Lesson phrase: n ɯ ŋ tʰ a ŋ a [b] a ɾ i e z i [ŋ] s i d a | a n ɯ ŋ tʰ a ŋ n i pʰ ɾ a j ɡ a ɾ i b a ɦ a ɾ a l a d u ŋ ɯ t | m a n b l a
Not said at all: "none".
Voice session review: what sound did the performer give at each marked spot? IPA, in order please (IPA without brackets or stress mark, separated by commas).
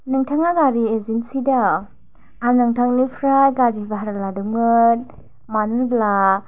ɡ, n